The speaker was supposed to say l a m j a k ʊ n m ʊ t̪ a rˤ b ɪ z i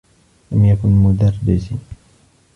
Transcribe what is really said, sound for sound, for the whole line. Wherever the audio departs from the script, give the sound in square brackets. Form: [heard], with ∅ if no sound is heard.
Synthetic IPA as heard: l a m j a k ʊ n m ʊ [d̪] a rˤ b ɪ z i